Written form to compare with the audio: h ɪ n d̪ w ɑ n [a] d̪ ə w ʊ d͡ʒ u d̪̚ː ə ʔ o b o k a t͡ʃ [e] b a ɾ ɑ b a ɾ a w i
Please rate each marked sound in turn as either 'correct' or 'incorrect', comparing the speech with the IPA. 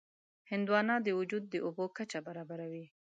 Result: incorrect, incorrect

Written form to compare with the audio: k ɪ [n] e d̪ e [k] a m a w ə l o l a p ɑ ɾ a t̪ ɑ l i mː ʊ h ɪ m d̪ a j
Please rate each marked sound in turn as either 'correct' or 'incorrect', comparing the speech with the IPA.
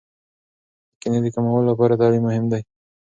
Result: correct, correct

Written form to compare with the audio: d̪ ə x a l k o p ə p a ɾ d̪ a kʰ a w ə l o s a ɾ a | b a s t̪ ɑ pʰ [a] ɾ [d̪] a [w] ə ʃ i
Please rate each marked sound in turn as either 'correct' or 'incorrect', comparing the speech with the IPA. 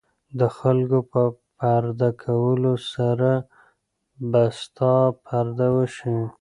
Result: correct, correct, correct

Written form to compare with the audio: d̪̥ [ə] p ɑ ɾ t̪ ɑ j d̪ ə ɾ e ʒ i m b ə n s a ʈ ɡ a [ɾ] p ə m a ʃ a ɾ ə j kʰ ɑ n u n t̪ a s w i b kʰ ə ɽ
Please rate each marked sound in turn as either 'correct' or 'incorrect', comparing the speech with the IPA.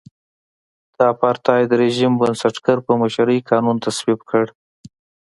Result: incorrect, correct

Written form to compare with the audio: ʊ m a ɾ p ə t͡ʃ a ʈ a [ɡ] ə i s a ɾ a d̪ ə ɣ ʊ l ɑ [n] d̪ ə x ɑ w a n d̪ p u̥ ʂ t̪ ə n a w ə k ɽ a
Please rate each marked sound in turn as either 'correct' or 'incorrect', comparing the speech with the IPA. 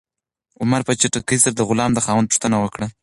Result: incorrect, incorrect

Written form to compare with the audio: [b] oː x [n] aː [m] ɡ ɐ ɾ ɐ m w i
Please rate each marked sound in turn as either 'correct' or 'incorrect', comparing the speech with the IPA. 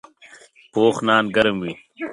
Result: incorrect, correct, incorrect

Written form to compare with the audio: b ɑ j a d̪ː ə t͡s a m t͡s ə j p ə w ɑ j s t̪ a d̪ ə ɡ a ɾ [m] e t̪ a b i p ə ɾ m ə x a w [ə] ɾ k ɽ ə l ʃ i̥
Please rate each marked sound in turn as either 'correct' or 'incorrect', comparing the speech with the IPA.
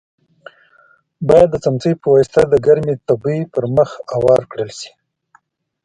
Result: correct, incorrect

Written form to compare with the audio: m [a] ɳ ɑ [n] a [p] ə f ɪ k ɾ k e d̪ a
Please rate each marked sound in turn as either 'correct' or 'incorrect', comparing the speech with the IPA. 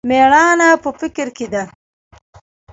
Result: incorrect, correct, correct

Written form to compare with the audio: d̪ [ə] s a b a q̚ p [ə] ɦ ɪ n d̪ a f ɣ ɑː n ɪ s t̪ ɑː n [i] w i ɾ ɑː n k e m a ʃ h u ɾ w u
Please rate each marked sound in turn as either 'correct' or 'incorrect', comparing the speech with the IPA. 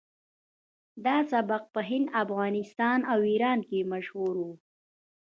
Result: incorrect, correct, incorrect

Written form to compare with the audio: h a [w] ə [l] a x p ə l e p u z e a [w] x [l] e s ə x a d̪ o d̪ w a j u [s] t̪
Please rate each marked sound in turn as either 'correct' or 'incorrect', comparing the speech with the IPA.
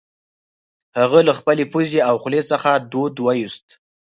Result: incorrect, correct, correct, correct, correct

